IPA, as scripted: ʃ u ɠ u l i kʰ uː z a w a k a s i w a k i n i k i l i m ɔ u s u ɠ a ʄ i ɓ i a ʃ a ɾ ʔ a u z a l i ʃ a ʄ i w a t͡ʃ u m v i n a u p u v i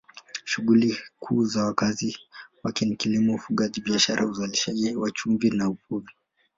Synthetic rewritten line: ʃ u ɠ u l i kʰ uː z a w a k a z i w a k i n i k i l i m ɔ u f u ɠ a ʄ i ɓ i a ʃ a ɾ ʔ a u z a l i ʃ a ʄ i w a t͡ʃ u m v i n a u p u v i